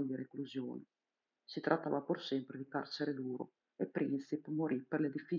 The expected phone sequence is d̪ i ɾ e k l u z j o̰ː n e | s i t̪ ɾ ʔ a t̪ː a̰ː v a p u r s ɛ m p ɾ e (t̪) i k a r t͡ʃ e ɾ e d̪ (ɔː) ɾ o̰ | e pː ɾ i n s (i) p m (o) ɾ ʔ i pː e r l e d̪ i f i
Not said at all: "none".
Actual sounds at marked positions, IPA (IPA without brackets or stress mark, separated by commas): d̪, uː, i, o